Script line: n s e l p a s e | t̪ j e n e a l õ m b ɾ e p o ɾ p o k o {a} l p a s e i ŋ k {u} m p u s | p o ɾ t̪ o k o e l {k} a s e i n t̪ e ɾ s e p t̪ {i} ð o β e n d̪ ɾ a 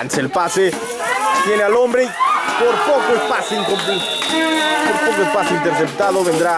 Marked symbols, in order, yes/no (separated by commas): no, no, no, no